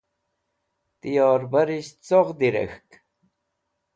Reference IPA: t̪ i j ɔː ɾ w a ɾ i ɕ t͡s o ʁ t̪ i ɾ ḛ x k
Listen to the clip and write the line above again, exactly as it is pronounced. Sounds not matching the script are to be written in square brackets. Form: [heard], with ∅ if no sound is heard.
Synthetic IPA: t̪ i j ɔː ɾ [b] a ɾ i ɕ t͡s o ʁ [d̪] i ɾ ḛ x k